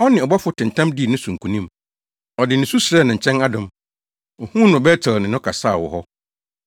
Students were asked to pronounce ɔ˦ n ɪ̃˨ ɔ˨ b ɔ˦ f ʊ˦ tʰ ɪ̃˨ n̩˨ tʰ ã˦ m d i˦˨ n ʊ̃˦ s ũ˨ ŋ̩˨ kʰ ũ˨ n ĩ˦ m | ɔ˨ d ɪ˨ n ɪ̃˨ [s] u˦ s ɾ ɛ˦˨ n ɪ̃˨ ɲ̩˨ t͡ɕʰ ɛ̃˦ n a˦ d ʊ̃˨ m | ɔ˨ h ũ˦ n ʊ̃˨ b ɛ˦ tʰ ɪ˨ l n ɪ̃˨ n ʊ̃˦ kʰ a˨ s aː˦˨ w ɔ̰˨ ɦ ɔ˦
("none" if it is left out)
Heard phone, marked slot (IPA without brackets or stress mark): s